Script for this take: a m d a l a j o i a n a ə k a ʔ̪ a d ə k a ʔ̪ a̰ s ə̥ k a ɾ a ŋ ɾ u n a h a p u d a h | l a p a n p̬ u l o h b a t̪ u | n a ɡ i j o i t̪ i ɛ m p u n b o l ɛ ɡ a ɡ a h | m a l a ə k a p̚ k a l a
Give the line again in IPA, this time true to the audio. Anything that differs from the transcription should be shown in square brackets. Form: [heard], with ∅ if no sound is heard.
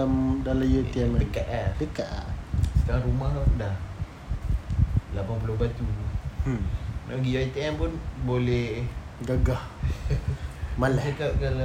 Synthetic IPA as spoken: a m d a l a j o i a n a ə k a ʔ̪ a d ə k a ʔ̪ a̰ s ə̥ k a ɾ a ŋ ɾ u [m] a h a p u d a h | l a p a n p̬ u l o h b a t̪ u | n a ɡ i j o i t̪ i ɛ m p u n b o l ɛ ɡ a ɡ a h | m a l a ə k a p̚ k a l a